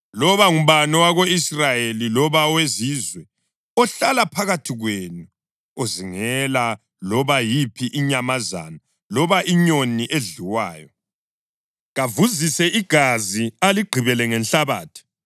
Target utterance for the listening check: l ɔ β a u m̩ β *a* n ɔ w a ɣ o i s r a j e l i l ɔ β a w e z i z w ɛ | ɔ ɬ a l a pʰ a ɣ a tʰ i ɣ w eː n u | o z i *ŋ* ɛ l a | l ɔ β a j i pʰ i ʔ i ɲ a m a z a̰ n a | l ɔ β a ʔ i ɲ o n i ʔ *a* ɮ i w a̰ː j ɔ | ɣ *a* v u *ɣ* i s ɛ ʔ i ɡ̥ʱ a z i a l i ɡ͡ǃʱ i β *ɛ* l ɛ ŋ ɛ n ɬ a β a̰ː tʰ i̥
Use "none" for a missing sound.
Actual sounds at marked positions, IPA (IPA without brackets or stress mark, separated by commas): a, ŋ, e, a, z, ɛ